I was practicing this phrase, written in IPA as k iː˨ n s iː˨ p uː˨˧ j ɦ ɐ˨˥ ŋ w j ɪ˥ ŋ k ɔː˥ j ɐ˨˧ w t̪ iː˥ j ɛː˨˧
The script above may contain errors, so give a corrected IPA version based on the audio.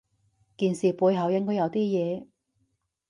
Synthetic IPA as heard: k iː˨ n s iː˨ p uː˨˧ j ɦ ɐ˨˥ w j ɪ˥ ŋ k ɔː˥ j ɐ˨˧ w t̪ iː˥ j ɛː˨˧